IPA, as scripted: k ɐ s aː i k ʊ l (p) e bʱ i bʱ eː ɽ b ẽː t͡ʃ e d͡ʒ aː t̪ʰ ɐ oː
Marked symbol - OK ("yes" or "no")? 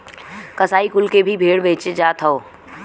no